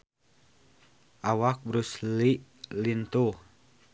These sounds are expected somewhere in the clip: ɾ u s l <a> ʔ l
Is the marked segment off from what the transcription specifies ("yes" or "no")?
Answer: yes